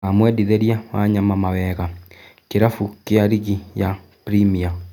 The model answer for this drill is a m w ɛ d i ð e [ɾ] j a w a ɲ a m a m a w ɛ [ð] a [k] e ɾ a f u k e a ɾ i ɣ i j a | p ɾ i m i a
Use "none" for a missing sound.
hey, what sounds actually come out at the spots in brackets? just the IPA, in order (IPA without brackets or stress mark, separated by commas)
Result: ɾ, ɣ, k